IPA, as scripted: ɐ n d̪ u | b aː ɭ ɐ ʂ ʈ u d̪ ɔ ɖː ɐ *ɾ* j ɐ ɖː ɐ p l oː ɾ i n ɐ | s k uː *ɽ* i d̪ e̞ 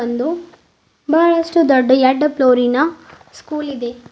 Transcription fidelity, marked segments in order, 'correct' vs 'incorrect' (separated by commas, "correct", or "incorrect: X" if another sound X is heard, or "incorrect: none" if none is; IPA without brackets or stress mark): incorrect: none, incorrect: l